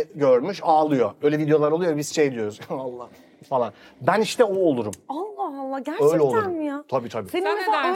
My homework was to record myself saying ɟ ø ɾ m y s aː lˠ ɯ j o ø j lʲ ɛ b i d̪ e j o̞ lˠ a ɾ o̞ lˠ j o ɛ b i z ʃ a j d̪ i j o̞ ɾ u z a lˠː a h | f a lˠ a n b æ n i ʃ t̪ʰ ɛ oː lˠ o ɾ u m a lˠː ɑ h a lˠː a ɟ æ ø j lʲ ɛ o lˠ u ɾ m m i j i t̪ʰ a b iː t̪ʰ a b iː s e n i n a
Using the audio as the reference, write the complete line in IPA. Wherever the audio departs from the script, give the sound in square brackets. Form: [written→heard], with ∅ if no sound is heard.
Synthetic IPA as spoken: ɟ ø ɾ m y [s→ʃ] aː lˠ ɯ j o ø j lʲ ɛ [b→v] i d̪ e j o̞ lˠ a ɾ o̞ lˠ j o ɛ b i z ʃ [a→e] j d̪ i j o̞ ɾ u z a lˠː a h | f a lˠ a n b æ n i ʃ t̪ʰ ɛ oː lˠ [o→u] ɾ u m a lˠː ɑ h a lˠː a ɟ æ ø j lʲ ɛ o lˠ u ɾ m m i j [i→a] t̪ʰ a b iː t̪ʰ a b iː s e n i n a